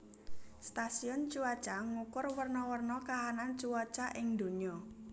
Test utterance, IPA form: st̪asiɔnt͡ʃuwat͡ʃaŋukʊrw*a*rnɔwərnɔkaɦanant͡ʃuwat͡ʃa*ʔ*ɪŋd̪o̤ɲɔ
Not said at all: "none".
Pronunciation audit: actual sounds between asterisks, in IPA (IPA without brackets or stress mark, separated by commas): ə, ʔ